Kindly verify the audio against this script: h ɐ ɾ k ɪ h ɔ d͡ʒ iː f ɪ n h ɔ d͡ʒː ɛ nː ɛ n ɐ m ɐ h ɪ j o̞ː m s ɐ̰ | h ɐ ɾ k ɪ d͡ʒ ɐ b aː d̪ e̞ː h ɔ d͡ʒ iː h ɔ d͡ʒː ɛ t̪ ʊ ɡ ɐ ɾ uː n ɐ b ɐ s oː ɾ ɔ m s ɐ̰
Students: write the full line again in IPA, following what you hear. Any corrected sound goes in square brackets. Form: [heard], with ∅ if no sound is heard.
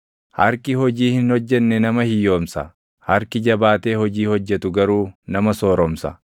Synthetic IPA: h ɐ ɾ k ɪ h ɔ d͡ʒ iː [h] ɪ n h ɔ d͡ʒː ɛ nː ɛ n ɐ m ɐ h ɪ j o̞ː m s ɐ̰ | h ɐ ɾ k ɪ d͡ʒ ɐ b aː [t̪] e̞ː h ɔ d͡ʒ iː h ɔ d͡ʒː ɛ t̪ ʊ ɡ ɐ ɾ uː n ɐ [m] ɐ s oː ɾ ɔ m s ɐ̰